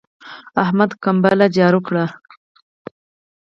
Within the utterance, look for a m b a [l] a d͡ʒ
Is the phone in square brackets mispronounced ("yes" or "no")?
no